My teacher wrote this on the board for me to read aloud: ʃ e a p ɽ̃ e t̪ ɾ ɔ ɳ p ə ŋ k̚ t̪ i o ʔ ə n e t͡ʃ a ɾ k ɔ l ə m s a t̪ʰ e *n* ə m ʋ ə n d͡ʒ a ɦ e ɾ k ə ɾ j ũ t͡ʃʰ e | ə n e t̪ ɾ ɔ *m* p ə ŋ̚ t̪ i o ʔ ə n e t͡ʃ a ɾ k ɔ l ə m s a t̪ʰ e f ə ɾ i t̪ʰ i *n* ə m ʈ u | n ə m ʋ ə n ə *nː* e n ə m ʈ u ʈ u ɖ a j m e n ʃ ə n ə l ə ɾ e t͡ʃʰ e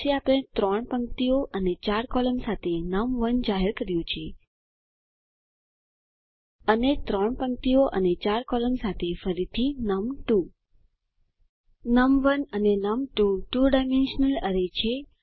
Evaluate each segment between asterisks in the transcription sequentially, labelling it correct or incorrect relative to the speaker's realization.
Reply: correct, incorrect, correct, incorrect

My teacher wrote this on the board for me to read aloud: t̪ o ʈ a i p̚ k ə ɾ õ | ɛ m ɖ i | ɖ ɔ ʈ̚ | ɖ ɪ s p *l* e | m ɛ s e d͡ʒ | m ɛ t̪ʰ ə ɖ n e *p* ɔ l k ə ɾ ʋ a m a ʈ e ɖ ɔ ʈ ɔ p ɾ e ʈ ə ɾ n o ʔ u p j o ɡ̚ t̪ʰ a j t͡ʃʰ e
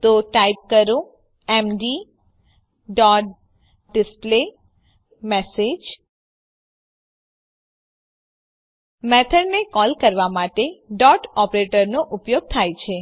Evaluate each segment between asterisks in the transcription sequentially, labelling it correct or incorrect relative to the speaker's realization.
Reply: correct, incorrect

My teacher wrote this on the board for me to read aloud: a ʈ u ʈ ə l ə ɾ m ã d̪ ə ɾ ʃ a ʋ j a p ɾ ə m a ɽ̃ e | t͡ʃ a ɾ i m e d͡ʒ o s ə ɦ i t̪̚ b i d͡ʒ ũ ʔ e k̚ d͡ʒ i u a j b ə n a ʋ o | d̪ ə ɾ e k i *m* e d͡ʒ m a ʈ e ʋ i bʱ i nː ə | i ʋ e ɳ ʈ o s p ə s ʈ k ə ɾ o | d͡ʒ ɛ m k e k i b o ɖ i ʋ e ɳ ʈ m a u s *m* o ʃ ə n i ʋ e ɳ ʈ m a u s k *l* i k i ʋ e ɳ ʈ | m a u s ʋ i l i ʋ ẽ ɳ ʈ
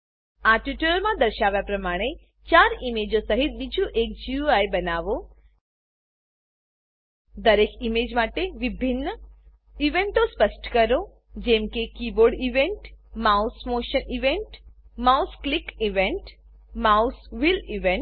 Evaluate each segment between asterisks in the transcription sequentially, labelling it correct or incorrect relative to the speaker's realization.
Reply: correct, correct, correct

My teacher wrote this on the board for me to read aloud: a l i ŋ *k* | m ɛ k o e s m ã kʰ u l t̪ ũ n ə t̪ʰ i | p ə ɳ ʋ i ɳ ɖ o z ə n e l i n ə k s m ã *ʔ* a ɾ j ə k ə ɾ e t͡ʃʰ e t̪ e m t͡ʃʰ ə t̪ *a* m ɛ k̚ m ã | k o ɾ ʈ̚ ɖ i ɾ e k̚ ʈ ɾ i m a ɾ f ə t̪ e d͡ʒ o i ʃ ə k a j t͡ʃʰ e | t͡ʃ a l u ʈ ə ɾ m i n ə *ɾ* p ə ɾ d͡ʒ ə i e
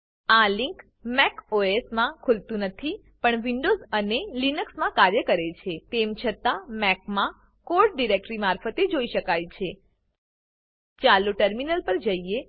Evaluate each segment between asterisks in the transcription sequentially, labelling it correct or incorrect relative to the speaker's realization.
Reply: correct, incorrect, correct, incorrect

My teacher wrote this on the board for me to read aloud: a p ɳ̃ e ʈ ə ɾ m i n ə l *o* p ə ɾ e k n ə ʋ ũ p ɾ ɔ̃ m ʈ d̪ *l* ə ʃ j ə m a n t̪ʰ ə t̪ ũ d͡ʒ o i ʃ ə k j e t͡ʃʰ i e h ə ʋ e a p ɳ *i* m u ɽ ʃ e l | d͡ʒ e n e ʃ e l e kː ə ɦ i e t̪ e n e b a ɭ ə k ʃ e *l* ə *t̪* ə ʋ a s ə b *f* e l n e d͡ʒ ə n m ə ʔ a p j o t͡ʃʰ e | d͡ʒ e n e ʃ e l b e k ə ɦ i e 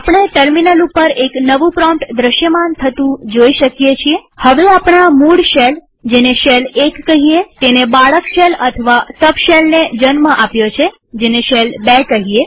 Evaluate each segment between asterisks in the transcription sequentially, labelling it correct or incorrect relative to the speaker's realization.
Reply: incorrect, incorrect, incorrect, correct, incorrect, incorrect

